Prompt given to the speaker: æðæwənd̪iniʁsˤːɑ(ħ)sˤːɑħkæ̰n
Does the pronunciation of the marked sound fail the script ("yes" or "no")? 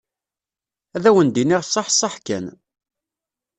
no